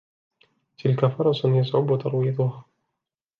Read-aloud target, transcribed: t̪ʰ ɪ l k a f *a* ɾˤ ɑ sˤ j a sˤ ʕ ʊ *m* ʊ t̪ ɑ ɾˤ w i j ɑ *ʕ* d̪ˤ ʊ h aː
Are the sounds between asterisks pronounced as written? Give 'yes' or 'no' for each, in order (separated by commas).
no, no, no